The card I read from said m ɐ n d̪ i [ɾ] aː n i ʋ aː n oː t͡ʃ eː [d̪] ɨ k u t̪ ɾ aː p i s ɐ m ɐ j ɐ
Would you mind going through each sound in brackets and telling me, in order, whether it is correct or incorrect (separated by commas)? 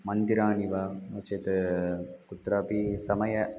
correct, incorrect